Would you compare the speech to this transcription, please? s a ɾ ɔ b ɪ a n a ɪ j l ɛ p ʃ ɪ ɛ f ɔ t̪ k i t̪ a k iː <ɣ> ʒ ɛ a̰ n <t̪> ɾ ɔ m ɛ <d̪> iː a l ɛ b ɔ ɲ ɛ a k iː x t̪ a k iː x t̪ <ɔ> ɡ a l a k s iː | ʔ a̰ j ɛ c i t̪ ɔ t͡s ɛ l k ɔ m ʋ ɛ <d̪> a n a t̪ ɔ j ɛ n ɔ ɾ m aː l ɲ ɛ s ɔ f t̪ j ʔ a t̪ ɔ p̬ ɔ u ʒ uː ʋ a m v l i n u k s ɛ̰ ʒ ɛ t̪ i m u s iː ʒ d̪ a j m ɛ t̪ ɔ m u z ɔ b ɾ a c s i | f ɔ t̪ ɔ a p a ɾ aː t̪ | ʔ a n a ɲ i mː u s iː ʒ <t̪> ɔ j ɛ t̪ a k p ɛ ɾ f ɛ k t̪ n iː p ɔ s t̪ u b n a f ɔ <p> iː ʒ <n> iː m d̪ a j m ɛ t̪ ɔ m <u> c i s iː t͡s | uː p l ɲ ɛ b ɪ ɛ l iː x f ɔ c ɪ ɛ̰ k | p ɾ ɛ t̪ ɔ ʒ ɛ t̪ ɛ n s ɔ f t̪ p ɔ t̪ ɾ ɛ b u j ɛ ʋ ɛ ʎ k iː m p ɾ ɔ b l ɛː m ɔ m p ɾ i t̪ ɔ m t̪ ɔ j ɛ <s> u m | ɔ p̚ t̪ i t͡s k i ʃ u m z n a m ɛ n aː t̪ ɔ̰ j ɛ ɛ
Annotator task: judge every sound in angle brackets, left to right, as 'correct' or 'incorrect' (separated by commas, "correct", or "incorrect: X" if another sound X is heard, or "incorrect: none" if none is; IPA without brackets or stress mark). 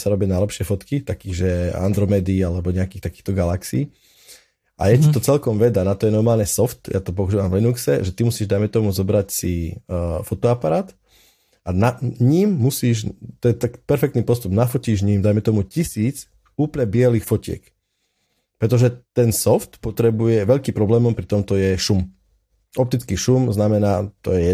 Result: correct, incorrect: d̪, correct, correct, correct, correct, incorrect: c, incorrect: ɲ, correct, incorrect: ʃ